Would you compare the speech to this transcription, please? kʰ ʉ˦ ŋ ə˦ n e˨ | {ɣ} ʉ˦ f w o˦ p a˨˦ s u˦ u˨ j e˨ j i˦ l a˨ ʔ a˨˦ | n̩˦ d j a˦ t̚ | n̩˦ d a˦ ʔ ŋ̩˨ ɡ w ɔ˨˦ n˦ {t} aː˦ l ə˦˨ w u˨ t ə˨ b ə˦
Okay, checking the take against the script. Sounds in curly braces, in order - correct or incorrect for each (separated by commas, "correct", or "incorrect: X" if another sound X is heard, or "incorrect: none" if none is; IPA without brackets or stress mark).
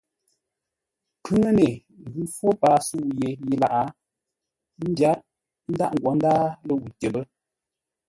correct, incorrect: d